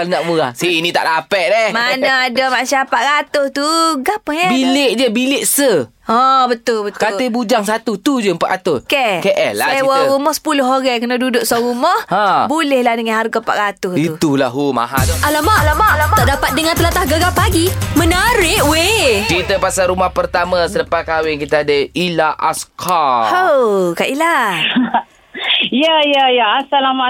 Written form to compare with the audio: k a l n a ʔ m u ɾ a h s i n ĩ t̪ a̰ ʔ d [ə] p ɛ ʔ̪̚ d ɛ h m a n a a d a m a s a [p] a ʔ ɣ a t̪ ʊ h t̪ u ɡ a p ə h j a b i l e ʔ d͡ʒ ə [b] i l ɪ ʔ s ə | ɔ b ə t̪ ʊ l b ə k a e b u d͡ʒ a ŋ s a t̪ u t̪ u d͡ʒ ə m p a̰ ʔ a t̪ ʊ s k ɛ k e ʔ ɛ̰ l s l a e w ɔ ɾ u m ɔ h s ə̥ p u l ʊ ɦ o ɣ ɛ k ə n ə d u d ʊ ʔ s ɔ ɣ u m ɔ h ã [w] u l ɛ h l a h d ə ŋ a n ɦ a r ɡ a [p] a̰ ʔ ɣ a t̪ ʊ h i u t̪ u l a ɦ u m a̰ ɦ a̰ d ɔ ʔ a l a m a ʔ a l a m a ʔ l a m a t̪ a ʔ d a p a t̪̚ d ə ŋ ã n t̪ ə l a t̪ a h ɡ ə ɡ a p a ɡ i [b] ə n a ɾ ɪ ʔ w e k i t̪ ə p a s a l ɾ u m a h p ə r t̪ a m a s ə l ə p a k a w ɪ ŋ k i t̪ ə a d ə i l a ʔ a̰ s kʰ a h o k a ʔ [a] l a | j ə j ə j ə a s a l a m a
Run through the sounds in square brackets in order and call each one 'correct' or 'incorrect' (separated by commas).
incorrect, correct, correct, incorrect, correct, incorrect, incorrect